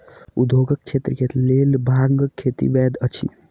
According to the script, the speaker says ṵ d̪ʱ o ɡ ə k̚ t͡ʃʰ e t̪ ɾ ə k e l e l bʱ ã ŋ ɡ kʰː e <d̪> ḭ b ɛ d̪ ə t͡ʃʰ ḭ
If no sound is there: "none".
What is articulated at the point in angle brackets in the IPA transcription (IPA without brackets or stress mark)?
t̪